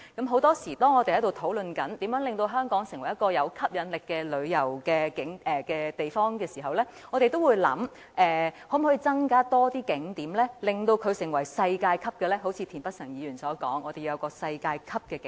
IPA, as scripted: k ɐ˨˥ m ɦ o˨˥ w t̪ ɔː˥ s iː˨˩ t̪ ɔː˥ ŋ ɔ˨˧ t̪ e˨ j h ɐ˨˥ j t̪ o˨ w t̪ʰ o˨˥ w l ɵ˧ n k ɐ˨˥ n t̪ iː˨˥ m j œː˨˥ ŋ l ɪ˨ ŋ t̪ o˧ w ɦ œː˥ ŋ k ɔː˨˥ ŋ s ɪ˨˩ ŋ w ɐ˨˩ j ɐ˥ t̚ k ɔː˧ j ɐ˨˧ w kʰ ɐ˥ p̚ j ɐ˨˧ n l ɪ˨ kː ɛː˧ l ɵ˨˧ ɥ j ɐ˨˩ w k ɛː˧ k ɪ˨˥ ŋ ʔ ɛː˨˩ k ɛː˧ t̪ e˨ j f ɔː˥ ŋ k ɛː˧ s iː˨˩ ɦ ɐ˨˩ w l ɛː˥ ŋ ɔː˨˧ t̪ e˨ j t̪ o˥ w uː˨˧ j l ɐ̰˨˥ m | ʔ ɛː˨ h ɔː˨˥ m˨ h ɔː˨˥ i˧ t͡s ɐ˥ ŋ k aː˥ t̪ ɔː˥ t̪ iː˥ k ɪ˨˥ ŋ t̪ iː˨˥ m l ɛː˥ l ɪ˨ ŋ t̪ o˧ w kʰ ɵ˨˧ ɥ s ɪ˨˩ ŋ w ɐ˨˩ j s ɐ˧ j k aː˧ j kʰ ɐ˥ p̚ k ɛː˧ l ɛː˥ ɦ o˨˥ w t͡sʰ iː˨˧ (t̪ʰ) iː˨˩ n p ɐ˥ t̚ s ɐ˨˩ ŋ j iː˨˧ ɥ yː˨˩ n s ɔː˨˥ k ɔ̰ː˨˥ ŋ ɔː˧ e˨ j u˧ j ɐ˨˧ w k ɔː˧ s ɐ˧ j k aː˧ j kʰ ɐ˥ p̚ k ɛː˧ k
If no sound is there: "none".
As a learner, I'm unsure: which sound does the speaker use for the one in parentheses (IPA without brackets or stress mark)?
t̪ʰ